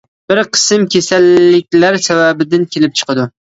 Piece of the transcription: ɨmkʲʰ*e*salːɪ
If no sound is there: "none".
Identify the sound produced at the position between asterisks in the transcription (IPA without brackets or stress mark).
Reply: e